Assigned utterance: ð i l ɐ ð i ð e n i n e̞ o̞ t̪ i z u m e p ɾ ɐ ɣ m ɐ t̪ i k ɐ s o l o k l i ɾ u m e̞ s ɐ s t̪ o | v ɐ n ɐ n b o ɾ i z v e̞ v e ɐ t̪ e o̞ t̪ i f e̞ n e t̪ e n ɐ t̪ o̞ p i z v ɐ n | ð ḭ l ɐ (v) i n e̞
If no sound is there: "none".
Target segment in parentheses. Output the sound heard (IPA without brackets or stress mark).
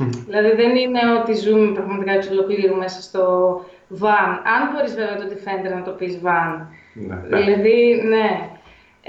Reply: ð